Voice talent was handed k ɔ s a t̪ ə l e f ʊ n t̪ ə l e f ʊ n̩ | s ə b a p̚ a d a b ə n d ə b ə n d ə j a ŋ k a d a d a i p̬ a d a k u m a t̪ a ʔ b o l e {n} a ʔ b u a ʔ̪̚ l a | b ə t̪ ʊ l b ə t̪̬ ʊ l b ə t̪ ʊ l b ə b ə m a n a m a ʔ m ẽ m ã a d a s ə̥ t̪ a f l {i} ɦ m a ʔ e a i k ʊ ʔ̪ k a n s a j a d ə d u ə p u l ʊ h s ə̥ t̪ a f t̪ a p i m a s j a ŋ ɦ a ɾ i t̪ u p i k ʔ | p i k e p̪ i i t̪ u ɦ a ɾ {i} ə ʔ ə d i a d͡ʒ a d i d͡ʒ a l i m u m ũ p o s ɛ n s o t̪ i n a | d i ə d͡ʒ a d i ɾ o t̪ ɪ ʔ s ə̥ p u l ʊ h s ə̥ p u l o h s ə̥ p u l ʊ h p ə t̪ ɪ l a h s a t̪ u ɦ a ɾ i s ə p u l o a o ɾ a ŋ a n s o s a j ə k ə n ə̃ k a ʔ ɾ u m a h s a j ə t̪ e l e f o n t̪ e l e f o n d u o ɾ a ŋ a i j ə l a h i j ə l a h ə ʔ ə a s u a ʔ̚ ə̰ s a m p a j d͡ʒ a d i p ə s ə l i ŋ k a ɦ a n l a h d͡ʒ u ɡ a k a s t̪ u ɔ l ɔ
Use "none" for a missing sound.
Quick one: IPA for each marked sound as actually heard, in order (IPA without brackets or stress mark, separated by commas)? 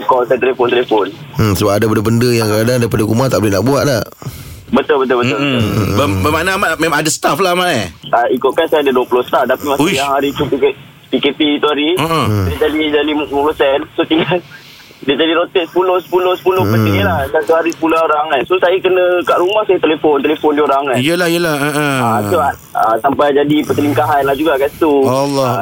n, a, i